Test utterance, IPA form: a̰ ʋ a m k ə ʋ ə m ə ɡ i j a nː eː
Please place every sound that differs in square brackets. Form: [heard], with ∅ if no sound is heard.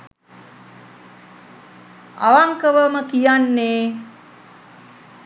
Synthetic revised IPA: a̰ ʋ a [ŋ] k ə ʋ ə m ə [k] i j a nː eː